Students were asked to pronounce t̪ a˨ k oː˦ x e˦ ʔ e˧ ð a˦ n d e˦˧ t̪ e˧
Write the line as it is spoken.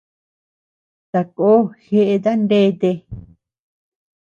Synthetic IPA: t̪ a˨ k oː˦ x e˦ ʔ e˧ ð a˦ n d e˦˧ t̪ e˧